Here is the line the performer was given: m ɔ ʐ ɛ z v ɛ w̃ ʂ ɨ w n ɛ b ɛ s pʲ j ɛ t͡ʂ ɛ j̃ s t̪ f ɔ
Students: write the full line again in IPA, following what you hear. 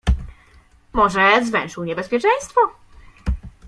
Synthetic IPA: m ɔ ʐ ɛ z v ɛ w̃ ʂ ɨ w ɲ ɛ b ɛ s pʲ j ɛ t͡ʂ ɛ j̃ s t̪ f ɔ